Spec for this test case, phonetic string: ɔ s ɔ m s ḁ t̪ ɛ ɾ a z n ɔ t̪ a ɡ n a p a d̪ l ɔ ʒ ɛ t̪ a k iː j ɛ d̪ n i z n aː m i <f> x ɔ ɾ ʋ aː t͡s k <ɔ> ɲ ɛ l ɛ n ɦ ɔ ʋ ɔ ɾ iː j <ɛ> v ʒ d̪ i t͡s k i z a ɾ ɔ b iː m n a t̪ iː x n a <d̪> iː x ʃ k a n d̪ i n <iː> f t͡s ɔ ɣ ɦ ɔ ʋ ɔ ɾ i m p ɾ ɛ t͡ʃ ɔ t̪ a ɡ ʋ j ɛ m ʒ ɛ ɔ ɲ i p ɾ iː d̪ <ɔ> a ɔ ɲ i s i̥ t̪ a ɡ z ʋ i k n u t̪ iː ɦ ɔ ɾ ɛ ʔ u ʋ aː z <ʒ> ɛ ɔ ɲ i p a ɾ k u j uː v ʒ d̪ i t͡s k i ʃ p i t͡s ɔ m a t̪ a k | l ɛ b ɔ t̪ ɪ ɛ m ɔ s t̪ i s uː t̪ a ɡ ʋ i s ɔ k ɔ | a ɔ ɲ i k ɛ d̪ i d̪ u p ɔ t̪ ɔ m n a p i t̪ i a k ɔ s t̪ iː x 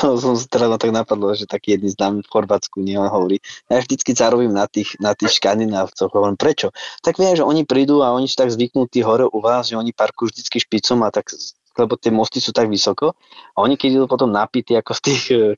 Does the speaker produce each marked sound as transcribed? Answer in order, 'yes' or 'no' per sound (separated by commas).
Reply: yes, no, no, no, no, no, yes